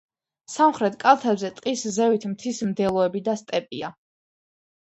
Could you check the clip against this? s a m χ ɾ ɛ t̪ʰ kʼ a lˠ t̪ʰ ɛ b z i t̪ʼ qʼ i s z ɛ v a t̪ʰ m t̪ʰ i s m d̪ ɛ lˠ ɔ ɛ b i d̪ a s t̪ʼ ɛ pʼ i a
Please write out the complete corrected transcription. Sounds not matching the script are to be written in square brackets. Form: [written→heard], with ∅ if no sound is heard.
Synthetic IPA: s a m χ ɾ ɛ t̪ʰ kʼ a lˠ t̪ʰ ɛ b z [i→ɛ] t̪ʼ qʼ i s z ɛ v [a→i] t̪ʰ m t̪ʰ i s m d̪ ɛ lˠ ɔ ɛ b i d̪ a s t̪ʼ ɛ pʼ i a